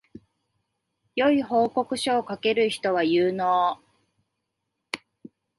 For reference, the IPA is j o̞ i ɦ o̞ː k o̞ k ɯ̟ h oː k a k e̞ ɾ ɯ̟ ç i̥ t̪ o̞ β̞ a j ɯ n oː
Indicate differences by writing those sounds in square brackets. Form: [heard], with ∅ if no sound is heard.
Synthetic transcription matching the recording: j o̞ i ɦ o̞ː k o̞ k ɯ̟ [ɕ] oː k a k e̞ ɾ ɯ̟ ç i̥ t̪ o̞ β̞ a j [ɯː] n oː